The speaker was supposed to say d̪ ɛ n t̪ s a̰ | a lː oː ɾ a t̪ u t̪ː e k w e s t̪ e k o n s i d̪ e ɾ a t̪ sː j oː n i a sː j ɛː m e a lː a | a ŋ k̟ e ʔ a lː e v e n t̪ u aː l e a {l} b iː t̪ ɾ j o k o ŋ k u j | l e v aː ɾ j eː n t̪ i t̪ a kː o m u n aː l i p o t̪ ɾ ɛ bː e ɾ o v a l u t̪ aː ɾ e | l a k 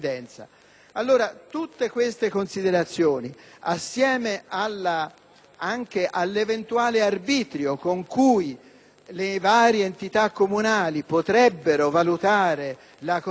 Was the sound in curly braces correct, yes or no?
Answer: no